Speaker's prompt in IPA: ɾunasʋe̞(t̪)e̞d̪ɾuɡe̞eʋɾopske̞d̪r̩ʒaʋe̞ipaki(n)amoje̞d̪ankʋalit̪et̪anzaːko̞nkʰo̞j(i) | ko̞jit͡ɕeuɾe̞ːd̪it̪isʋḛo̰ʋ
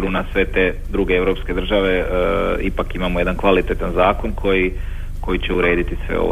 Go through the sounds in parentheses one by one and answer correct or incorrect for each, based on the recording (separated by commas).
correct, incorrect, correct